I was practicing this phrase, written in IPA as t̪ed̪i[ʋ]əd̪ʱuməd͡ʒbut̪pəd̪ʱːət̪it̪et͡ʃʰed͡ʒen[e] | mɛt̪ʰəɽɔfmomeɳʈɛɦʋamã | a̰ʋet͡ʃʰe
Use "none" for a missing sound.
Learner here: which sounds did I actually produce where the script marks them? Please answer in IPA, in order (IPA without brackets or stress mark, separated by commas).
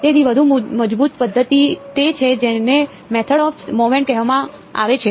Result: ʋ, e